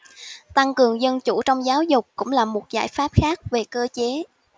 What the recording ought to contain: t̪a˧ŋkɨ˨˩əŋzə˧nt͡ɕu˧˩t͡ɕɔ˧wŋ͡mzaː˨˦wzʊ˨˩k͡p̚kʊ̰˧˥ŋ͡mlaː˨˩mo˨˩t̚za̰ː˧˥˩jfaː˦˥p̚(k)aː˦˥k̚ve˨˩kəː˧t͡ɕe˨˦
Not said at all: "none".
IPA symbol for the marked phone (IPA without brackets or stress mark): x